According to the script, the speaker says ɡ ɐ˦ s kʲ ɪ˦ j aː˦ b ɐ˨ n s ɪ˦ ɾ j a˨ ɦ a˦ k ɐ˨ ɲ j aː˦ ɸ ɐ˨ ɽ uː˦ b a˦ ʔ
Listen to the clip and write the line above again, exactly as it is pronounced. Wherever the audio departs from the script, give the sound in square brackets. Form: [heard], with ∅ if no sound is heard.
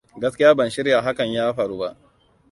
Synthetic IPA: ɡ ɐ˦ s kʲ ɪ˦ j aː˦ b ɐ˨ n [ʃ] ɪ˦ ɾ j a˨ ɦ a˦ k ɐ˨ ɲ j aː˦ ɸ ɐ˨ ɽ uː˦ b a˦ ʔ